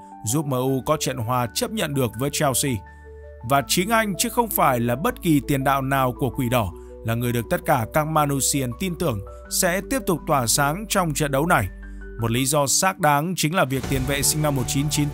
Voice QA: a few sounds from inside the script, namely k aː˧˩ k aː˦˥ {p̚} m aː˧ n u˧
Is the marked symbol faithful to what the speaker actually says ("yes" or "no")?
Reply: no